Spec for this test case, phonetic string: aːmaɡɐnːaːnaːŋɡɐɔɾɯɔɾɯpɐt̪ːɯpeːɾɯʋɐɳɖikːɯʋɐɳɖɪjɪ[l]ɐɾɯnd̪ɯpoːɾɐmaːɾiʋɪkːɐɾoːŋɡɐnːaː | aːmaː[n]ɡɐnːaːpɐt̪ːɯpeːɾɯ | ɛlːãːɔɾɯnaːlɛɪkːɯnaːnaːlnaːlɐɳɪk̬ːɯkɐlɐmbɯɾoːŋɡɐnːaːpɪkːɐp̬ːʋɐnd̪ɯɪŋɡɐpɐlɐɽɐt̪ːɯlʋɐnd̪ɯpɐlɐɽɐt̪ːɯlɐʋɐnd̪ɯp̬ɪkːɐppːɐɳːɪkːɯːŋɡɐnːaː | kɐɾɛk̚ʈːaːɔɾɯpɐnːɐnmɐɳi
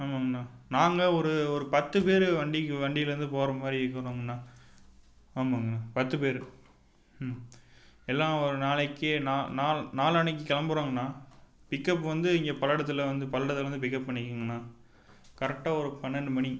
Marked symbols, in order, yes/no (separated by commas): yes, no